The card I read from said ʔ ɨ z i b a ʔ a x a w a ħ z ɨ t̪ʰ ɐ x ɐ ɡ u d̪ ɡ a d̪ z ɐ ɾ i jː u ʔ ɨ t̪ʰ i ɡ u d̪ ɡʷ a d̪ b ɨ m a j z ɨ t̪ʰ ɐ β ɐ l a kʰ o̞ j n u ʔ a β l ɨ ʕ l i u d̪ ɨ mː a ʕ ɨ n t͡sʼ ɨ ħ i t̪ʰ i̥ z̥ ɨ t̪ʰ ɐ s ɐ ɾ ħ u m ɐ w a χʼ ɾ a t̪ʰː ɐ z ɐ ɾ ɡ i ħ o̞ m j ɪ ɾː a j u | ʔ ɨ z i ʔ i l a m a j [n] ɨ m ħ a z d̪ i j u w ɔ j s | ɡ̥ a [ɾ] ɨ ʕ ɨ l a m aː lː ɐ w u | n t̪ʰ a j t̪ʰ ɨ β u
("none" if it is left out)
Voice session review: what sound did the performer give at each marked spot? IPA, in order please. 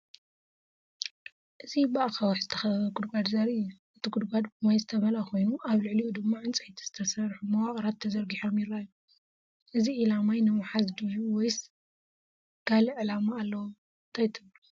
n, l

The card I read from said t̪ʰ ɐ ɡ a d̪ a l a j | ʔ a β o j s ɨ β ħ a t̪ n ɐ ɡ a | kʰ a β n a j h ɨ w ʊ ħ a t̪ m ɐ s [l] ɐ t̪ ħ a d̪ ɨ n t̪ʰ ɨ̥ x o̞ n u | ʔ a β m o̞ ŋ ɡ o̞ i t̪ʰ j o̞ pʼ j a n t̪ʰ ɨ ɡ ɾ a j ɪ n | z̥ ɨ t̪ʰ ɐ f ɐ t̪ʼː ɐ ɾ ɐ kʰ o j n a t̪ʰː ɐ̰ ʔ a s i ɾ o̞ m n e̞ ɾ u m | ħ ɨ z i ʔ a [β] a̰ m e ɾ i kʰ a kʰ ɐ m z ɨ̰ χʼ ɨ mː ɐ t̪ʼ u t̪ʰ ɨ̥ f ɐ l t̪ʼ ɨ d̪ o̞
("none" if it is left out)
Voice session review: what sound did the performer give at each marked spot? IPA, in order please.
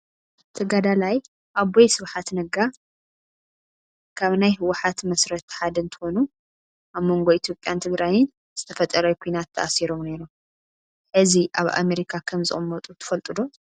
ɾ, β

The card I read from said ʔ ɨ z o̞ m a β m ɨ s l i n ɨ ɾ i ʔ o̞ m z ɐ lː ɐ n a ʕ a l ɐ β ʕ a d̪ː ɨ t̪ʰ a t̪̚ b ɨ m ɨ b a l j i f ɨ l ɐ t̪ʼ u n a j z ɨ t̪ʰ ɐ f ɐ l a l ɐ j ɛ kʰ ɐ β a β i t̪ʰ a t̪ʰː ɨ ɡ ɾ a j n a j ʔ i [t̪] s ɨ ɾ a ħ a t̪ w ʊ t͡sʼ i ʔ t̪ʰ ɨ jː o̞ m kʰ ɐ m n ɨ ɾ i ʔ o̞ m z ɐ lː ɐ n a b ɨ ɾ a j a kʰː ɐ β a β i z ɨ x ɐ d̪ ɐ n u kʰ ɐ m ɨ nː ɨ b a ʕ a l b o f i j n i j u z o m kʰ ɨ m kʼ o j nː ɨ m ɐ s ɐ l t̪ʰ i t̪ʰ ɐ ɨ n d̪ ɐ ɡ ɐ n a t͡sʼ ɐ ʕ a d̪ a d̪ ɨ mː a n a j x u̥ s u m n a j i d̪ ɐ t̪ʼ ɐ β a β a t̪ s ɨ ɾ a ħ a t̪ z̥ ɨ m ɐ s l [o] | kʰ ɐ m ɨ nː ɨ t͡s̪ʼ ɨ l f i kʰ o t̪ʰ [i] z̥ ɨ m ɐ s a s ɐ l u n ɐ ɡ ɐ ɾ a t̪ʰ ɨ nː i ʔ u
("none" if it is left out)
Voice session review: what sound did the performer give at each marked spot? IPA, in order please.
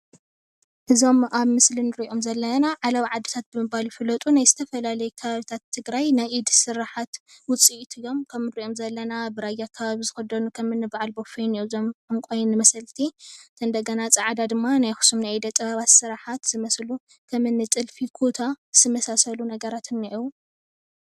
d̪, u, a

